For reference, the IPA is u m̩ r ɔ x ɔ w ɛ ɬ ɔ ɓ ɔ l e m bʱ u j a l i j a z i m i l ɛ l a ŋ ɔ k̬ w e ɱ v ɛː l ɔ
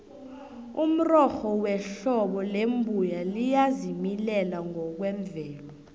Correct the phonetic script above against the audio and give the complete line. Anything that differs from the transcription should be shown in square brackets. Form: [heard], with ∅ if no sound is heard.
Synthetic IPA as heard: u m̩ r ɔ x ɔ w ɛ ɬ ɔ ɓ ɔ l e m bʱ u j a l i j a z i m i l ɛ l a ŋ ɔ k̬ w [ɛ] ɱ v ɛː l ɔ